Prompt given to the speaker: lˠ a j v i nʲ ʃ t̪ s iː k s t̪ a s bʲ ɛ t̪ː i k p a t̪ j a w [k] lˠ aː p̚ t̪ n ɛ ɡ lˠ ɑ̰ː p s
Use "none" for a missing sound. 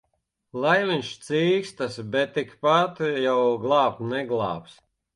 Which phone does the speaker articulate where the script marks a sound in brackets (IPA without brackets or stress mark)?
ɡ